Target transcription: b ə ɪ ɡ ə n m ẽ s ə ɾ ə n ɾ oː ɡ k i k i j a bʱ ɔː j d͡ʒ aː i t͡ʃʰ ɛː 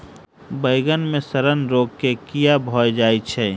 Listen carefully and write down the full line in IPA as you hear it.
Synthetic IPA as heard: b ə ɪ ɡ ə n m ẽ s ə ɾ ə n ɾ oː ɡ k e k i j a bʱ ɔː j d͡ʒ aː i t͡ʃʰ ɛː